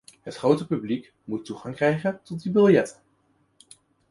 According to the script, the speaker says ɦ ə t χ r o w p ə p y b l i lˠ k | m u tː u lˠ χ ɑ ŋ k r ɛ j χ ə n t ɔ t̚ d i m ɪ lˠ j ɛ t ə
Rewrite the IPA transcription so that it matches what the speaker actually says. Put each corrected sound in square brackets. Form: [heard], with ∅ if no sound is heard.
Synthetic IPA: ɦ ə t χ r o w [t] ə p y b l i [∅] k | m u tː u [∅] χ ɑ ŋ k r ɛ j χ ə n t ɔ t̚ d i [b] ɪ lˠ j ɛ t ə